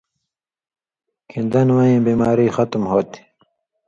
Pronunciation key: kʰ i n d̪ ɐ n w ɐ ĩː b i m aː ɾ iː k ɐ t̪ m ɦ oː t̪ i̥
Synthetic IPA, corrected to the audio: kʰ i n d̪ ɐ n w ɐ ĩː b i m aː ɾ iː x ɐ t̪ m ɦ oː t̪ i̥